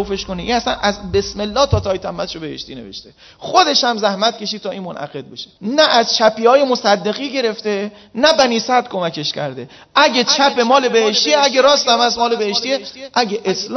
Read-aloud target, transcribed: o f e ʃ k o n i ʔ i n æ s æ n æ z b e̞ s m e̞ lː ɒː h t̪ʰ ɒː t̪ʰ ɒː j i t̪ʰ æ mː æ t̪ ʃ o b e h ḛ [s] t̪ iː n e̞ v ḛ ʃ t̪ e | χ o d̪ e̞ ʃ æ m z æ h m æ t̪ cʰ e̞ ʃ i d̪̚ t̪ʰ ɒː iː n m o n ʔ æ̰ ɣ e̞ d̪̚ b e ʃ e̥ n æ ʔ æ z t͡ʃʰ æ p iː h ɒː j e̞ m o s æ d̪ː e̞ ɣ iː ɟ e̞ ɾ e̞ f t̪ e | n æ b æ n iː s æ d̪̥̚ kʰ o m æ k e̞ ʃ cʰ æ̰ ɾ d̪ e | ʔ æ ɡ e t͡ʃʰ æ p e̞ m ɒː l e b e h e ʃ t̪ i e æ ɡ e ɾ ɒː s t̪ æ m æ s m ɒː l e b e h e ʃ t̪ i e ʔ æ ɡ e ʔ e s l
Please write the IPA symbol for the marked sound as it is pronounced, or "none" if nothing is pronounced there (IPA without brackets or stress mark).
ʃ